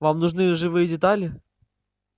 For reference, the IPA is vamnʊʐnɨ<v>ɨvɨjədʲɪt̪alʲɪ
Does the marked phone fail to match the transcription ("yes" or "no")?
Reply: yes